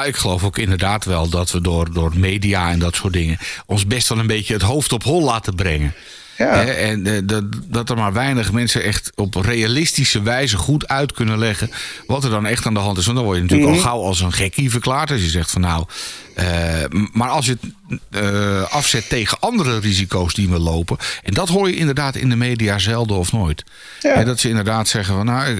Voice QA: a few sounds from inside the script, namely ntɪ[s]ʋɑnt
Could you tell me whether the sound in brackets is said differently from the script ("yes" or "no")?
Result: no